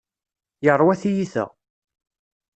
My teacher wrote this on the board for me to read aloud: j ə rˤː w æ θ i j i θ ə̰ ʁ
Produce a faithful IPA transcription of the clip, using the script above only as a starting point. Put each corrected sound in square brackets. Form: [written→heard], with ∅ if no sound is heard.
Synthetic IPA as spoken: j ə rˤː w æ θ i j i θ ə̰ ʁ